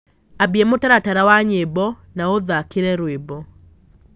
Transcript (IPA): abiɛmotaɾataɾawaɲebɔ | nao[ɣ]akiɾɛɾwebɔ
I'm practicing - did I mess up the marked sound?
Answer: yes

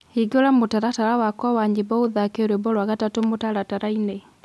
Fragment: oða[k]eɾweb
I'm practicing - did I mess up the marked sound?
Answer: no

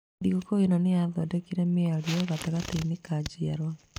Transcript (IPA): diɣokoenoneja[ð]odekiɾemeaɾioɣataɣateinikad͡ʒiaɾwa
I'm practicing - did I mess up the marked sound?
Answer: no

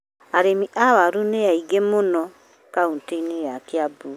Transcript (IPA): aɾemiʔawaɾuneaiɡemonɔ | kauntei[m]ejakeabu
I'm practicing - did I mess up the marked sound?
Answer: yes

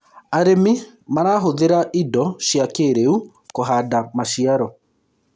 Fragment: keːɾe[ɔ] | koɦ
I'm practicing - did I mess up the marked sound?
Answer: yes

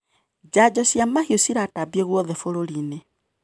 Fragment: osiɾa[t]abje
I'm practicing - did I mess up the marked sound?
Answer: no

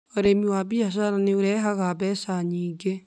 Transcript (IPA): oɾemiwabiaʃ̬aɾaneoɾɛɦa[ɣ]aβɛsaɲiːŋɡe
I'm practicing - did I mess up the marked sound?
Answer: no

